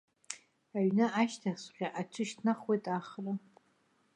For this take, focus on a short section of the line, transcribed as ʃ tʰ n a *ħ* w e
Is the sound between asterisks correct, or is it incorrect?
incorrect